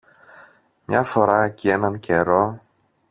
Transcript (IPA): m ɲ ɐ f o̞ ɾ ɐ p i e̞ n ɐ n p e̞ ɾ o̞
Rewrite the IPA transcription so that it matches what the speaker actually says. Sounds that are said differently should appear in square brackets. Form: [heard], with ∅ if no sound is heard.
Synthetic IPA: m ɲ ɐ f o̞ ɾ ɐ [c] i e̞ n ɐ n [c] e̞ ɾ o̞